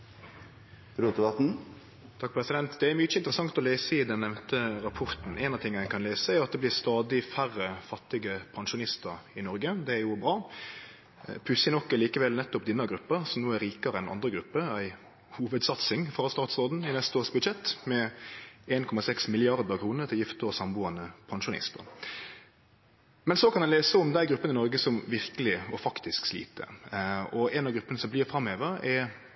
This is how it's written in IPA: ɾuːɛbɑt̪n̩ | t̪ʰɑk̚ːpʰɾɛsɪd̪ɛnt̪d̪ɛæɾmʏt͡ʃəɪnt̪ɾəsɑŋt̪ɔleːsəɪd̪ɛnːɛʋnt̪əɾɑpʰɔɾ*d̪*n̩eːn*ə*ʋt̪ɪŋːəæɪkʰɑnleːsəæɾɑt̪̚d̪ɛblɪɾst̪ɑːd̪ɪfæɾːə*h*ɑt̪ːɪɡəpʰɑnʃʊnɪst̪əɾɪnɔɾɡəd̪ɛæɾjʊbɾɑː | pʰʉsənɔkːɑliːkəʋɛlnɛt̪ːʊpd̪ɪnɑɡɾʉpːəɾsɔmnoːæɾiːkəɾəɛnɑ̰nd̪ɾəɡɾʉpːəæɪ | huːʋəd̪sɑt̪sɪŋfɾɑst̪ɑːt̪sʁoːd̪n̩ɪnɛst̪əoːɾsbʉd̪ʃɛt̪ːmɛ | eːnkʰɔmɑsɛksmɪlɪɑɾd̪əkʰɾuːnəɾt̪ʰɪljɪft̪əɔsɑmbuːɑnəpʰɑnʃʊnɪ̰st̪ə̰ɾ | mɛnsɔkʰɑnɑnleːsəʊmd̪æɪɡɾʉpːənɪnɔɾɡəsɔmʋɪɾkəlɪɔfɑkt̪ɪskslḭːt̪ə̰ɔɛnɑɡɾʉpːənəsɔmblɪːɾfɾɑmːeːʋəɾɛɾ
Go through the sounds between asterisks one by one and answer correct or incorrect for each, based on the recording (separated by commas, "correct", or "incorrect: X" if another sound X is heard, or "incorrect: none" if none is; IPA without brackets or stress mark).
incorrect: t̪, incorrect: ɑ, incorrect: f